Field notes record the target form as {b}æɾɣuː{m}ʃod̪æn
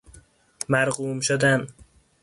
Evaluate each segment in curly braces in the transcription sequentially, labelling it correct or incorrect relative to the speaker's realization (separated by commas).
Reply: incorrect, correct